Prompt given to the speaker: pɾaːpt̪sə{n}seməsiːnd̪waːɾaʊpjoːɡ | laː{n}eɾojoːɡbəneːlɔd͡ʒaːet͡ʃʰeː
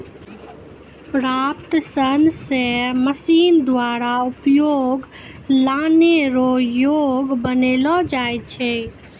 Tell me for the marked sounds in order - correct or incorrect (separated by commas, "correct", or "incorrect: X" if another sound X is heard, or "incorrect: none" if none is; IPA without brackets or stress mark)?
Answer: correct, correct